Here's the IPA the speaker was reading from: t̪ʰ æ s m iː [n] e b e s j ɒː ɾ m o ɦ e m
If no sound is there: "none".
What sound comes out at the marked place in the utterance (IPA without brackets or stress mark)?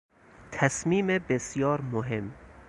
m